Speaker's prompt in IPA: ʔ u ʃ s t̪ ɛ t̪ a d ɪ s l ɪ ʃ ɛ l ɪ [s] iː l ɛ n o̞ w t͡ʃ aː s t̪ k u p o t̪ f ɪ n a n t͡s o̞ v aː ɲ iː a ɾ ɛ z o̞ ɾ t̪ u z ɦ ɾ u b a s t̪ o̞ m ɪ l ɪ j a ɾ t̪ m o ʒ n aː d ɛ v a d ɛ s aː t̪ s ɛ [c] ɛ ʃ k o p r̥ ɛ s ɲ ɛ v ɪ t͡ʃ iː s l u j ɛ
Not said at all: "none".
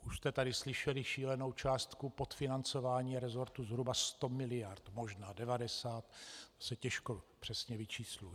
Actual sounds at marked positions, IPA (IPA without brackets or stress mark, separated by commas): ʃ, c